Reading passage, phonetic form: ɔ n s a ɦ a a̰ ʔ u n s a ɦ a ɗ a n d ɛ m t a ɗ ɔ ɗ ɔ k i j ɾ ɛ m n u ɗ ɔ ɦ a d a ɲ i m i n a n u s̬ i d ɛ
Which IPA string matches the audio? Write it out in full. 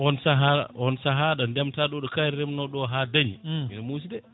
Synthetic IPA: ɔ n s a ɦ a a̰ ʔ ɔ n s a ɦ a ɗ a n d ɛ m t a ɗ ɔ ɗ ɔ k a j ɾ ɛ m n ɔ ɗ ɔ ɦ a d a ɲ i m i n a m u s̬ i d ɛ